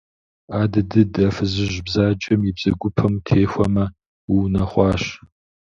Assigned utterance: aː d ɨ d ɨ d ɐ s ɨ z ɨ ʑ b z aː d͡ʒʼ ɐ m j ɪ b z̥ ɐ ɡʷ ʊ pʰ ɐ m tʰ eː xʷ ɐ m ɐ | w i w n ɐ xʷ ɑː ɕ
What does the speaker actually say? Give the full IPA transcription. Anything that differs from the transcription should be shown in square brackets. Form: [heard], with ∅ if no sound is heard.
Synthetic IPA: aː d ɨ d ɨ d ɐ [f] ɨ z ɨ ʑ b z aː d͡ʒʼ ɐ m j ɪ b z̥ ɐ ɡʷ ʊ pʰ ɐ m tʰ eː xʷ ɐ m ɐ | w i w n ɐ [χʷ] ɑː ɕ